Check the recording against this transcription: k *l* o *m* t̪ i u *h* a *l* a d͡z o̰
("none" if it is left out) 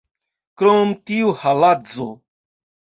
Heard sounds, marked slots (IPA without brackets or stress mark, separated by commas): ɾ, m, h, l